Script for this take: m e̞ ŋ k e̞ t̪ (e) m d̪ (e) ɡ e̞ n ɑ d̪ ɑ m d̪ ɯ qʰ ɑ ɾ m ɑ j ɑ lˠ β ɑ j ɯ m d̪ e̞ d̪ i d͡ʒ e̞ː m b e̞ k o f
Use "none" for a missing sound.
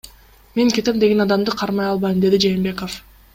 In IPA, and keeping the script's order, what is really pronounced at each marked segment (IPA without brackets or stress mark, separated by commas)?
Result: e, e